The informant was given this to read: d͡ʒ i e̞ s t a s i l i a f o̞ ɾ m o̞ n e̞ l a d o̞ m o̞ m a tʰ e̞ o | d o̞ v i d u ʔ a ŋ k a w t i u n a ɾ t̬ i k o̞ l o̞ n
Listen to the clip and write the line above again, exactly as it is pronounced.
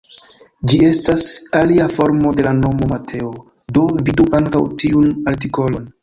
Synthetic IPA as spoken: d͡ʒ i e̞ s t a s a l i a f o̞ ɾ m o̞ d e̞ l a n o̞ m o̞ m a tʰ e̞ o | d o̞ v i d u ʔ a ŋ k a w t i u n a ɾ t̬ i k o̞ l o̞ n